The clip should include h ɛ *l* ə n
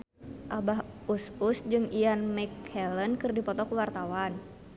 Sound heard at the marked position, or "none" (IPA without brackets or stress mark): l